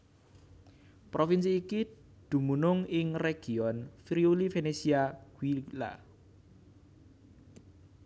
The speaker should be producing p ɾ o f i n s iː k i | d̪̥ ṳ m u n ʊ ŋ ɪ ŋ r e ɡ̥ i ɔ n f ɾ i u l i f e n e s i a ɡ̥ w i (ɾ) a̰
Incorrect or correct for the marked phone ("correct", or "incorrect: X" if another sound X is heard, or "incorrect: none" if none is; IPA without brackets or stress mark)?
incorrect: l